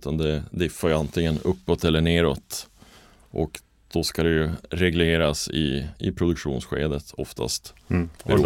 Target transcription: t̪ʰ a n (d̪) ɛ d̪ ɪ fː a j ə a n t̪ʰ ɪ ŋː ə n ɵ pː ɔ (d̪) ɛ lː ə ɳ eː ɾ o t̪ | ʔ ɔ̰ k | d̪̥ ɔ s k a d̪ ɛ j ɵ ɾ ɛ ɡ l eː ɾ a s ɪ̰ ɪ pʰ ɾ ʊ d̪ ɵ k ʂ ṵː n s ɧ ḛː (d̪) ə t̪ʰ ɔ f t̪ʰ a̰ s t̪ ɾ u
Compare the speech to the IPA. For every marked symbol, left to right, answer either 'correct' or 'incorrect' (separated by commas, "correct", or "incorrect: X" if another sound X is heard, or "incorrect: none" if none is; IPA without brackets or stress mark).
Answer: correct, incorrect: t̪, correct